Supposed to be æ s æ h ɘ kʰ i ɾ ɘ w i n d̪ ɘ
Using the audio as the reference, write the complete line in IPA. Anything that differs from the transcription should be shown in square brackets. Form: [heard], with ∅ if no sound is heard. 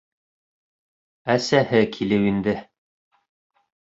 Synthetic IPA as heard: æ s æ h ɘ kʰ i [l] ɘ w i n d̪ ɘ

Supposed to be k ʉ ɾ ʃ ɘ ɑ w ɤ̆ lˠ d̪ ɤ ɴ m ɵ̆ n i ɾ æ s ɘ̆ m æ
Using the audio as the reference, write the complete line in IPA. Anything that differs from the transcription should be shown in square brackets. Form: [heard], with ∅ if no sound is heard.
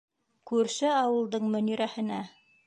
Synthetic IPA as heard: k ʉ ɾ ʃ ɘ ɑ w ɤ̆ lˠ d̪ ɤ ɴ m ɵ̆ n i ɾ æ [h] ɘ̆ [n] æ

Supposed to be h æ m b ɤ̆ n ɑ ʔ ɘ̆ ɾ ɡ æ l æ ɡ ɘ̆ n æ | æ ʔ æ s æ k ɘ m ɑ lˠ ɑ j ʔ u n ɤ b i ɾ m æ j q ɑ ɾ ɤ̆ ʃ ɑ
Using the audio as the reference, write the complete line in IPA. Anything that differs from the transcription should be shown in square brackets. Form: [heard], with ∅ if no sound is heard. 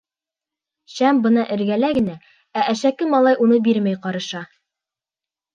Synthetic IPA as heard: [ɕ] æ m b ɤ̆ n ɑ ʔ ɘ̆ ɾ ɡ æ l æ ɡ ɘ̆ n æ | æ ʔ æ [ʃ] æ k ɘ m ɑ lˠ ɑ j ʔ u n ɤ b i ɾ m æ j q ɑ ɾ ɤ̆ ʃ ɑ

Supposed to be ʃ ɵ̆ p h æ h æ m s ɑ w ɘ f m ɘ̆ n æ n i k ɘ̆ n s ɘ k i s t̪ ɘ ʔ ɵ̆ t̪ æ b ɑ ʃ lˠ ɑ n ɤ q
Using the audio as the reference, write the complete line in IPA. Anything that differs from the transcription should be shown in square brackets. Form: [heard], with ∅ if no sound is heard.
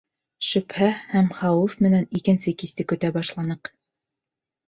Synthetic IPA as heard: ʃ ɵ̆ p h æ h æ m [χ] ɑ w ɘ f m ɘ̆ n æ n i k ɘ̆ n s ɘ k i s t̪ ɘ [k] ɵ̆ t̪ æ b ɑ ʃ lˠ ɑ n ɤ q

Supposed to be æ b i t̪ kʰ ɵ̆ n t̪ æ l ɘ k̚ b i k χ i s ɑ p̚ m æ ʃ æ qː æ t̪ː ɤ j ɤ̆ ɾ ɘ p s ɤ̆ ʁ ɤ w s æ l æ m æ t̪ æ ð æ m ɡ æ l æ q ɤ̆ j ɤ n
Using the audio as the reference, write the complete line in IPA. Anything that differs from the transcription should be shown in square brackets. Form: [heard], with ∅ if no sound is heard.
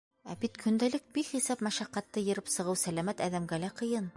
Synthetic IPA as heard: æ b i t̪ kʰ ɵ̆ n [d̪] æ l ɘ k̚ b i k χ i s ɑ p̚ m æ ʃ æ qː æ t̪ː ɤ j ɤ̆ ɾ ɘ p s ɤ̆ ʁ ɤ w s æ l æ m æ t̪ æ ð æ m ɡ æ l æ q ɤ̆ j ɤ n

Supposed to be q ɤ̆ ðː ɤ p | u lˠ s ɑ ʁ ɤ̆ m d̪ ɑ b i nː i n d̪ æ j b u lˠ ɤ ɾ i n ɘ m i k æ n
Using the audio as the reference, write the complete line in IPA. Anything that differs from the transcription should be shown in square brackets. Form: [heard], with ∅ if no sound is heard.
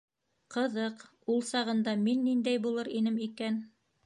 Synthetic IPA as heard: q ɤ̆ [ð] ɤ [q] | u lˠ s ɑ ʁ ɤ̆ [n] d̪ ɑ [m] i nː i n d̪ æ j b u lˠ ɤ ɾ i n ɘ m i k æ n

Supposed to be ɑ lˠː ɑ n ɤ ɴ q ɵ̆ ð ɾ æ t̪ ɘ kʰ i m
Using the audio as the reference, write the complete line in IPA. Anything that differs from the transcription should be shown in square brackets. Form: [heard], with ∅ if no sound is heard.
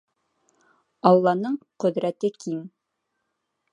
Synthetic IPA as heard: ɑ lˠː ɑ n ɤ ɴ q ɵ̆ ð ɾ æ t̪ ɘ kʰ i m

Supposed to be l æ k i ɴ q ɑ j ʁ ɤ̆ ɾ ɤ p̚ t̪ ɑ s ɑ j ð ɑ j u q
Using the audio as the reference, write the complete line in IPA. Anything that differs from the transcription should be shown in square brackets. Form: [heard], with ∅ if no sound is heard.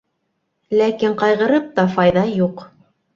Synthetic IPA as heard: l æ k i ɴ q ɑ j ʁ ɤ̆ ɾ ɤ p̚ t̪ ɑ [f] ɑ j ð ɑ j u q

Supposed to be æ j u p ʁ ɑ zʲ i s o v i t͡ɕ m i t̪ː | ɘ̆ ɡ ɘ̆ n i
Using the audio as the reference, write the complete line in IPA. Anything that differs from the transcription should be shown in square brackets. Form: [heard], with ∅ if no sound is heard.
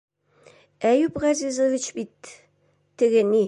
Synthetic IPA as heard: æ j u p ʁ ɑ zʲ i [z] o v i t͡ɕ [b] i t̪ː | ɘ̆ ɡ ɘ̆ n i

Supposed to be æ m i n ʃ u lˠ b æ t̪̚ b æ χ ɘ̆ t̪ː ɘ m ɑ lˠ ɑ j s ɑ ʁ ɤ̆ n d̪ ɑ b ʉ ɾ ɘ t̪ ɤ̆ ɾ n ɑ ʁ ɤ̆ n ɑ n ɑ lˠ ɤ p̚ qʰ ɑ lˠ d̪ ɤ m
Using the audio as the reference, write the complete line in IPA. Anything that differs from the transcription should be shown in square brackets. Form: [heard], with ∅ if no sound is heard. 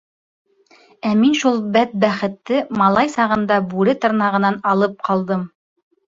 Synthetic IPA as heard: æ m i n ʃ u lˠ b æ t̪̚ b æ χ ɘ̆ t̪ː ɘ m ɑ lˠ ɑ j s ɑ ʁ ɤ̆ n d̪ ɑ b ʉ ɾ ɘ t̪ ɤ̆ ɾ n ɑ ʁ ɤ̆ n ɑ n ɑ lˠ ɤ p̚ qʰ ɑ lˠ d̪ ɤ m

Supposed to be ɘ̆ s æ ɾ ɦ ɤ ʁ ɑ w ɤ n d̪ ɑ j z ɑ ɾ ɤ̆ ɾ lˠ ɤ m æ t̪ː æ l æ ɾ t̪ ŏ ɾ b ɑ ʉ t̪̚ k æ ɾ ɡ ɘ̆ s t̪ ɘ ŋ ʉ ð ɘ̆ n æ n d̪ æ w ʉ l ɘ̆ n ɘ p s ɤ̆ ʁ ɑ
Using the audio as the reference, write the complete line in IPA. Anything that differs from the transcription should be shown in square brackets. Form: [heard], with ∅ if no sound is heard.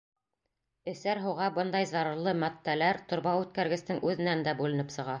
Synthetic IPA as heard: ɘ̆ s æ ɾ ɦ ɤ ʁ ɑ [b] ɤ n d̪ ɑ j z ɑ ɾ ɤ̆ ɾ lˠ ɤ m æ t̪ː æ l æ ɾ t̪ ŏ ɾ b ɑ ʉ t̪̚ k æ ɾ ɡ ɘ̆ s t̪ ɘ ŋ ʉ ð ɘ̆ n æ n d̪ æ [b] ʉ l ɘ̆ n ɘ p s ɤ̆ ʁ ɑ

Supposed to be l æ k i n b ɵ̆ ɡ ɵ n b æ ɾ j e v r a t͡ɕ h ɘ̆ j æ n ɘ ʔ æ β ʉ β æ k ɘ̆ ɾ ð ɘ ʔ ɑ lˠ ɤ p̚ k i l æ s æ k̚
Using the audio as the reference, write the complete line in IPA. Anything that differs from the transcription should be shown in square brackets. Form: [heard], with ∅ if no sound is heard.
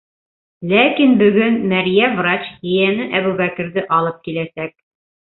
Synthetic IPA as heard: l æ k i n b ɵ̆ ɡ ɵ n [m] æ ɾ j [æ] v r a t͡ɕ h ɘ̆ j æ n ɘ ʔ æ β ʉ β æ k ɘ̆ ɾ ð ɘ ʔ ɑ lˠ ɤ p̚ k i l æ s æ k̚

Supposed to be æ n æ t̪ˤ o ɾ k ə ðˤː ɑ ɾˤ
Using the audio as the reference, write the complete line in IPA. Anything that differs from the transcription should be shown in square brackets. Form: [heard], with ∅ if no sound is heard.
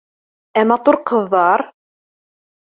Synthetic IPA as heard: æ [m] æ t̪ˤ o ɾ [q] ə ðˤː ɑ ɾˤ

